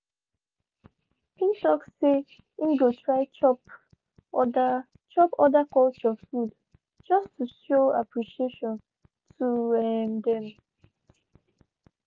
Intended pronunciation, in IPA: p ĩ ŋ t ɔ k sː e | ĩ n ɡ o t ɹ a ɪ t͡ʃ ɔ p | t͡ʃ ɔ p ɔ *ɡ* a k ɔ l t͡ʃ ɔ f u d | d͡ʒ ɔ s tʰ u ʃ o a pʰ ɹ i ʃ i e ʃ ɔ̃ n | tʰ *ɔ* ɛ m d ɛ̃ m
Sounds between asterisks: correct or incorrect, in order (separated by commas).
incorrect, incorrect